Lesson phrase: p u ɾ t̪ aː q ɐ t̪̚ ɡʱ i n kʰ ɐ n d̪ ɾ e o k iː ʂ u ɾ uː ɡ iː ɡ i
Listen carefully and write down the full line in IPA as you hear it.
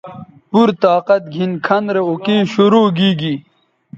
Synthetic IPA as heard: p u ɾ t̪ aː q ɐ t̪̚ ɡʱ i n kʰ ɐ n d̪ ɾ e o k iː ɕ u ɾ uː ɡ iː ɡ i